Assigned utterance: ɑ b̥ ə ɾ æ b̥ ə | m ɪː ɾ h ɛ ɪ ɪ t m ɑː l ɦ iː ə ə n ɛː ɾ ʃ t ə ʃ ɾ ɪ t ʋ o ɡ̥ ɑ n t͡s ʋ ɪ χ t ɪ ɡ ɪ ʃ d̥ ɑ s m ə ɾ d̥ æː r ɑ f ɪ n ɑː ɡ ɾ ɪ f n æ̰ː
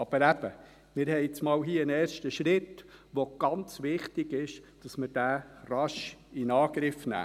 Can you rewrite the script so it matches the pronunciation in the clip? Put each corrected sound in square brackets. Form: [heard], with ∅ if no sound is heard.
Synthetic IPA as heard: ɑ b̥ ə ɾ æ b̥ ə | m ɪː ɾ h ɛ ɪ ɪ [t͡s] m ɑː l ɦ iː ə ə n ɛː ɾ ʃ t ə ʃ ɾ ɪ t ʋ o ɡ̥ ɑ n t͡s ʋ ɪ χ t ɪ ɡ ɪ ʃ d̥ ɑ s m ə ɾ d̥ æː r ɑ [ʃ] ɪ n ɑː ɡ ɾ ɪ f n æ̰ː